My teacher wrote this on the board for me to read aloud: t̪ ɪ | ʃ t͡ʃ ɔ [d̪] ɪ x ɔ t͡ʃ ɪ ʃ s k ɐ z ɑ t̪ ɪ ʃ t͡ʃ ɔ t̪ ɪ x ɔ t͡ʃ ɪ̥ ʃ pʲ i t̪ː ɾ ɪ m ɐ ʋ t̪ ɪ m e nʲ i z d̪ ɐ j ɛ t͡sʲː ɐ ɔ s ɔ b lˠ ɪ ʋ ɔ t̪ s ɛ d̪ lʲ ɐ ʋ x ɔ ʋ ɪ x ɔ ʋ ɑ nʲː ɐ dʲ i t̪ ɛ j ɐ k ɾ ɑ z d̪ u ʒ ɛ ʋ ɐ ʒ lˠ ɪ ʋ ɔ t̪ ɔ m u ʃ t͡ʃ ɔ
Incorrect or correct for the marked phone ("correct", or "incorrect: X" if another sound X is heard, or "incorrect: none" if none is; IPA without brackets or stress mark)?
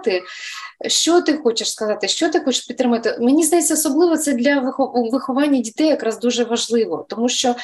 incorrect: t̪